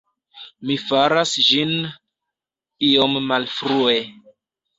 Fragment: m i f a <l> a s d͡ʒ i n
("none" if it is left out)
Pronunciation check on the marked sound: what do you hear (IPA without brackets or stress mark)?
ɾ